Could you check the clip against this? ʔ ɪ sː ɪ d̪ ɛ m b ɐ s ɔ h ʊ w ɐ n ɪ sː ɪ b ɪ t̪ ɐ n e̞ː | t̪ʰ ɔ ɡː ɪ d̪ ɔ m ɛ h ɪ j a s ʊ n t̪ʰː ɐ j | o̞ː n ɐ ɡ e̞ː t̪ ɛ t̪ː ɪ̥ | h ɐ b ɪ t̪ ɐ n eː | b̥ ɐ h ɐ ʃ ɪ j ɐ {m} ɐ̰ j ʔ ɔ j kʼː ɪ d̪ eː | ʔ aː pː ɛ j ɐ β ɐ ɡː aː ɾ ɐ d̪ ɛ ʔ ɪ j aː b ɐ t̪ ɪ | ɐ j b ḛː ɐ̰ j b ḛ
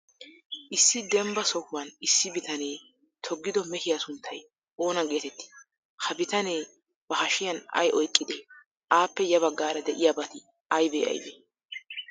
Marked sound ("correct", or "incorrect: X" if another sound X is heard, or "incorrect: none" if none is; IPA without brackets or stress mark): incorrect: n